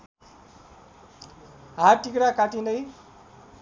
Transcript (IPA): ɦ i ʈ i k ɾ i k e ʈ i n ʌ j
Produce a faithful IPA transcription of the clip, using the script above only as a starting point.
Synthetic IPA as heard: ɦ a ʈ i k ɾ a k a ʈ i n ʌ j